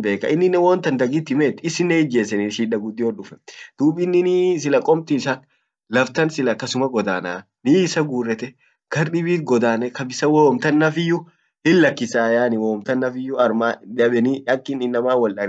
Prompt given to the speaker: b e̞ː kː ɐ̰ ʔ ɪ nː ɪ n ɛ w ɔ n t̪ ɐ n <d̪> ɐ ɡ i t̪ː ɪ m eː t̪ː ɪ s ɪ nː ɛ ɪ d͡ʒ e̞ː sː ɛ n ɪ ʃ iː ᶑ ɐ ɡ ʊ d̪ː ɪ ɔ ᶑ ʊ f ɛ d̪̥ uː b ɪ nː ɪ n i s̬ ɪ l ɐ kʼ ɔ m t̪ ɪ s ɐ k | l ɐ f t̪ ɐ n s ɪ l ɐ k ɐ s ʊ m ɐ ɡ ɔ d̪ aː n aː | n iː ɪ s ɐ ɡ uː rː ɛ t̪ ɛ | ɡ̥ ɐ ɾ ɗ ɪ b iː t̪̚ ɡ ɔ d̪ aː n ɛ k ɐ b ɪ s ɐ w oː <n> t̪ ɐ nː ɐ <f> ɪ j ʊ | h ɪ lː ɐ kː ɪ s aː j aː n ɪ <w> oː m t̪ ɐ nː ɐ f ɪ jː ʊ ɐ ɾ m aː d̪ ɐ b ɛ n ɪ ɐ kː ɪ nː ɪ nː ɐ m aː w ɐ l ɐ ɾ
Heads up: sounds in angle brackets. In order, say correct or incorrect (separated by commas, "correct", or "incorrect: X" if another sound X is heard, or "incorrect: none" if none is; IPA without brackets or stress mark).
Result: correct, incorrect: m, correct, correct